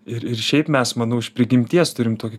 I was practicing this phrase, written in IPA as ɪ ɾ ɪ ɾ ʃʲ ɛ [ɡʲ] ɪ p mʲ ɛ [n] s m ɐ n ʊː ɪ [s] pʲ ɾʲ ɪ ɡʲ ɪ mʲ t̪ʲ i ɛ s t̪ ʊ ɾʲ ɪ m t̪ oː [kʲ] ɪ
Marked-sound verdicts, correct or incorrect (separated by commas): incorrect, incorrect, incorrect, correct